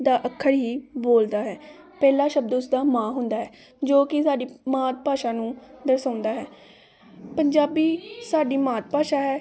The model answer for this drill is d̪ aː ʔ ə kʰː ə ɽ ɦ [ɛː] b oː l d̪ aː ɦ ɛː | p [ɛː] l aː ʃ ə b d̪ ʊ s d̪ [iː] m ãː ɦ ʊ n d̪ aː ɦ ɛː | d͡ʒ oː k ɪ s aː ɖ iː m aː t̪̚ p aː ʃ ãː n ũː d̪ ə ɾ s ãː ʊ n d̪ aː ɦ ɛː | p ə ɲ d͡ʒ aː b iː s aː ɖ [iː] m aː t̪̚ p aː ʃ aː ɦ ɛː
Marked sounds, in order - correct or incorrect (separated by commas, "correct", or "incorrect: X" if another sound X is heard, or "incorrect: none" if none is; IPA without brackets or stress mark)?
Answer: incorrect: iː, correct, incorrect: aː, correct